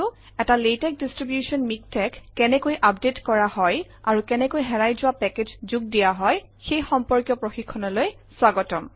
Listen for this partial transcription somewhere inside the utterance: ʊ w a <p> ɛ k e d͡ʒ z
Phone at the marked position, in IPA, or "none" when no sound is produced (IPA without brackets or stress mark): p